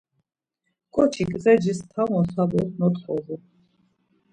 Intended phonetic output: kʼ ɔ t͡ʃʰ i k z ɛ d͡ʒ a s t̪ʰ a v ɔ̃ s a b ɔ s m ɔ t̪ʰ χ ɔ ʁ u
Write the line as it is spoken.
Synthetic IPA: kʼ ɔ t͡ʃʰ i kʼ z ɛ d͡ʒ i s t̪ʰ a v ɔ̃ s a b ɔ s n ɔ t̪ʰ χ ɔ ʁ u